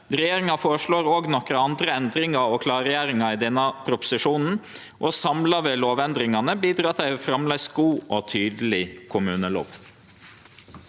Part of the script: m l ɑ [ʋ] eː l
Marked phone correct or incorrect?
correct